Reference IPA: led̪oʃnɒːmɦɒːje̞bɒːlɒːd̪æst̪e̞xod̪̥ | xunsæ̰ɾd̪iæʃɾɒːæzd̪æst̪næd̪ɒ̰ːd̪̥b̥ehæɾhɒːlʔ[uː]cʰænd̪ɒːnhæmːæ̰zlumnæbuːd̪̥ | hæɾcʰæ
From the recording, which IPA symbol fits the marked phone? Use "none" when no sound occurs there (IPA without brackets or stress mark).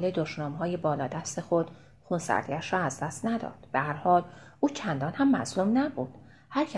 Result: uː